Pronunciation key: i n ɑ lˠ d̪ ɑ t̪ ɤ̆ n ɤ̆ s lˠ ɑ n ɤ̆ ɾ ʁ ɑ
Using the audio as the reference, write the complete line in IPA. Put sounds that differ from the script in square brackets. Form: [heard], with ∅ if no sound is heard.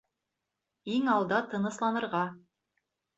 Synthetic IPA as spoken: i [ŋ] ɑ lˠ d̪ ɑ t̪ ɤ̆ n ɤ̆ s lˠ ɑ n ɤ̆ ɾ ʁ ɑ